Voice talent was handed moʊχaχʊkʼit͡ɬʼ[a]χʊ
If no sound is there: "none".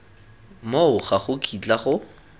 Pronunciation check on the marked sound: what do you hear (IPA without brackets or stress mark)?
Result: a